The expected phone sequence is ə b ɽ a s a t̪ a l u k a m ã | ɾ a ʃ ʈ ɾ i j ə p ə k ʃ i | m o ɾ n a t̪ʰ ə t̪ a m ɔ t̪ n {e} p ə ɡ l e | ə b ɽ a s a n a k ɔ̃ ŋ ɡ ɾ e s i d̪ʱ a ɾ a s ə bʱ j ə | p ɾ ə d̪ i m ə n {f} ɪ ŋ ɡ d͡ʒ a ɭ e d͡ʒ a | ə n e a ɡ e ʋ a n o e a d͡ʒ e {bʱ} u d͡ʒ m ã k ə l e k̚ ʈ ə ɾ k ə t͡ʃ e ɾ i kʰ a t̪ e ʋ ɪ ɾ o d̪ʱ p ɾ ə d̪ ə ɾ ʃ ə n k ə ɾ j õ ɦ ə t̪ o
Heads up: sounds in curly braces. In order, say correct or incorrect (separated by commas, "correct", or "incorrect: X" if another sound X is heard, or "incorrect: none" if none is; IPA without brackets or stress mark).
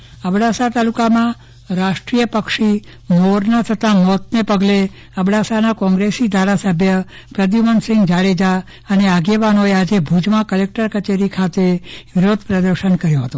correct, incorrect: s, correct